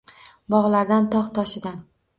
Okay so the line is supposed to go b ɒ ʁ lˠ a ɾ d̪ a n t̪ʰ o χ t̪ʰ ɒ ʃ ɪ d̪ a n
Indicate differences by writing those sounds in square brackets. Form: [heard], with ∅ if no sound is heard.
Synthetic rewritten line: b ɒ ʁ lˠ a ɾ d̪ a n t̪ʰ [ɒ] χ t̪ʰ ɒ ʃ ɪ d̪ a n